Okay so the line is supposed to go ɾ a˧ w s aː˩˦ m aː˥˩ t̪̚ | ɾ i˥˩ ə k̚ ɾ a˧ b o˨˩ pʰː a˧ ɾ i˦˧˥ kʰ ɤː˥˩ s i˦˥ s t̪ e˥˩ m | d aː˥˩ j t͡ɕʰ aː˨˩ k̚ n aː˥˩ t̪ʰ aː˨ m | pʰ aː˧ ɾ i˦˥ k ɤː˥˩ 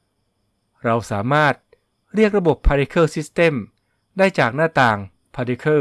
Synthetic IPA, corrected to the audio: ɾ a˧ w s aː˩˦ m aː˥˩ t̪̚ | ɾ i˥˩ ə k̚ ɾ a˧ b o˨˩ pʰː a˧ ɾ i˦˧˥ kʰ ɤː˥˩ s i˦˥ s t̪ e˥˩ m | d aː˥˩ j t͡ɕ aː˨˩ k̚ n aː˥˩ t̪ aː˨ ŋ | pʰ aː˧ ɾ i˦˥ kʰ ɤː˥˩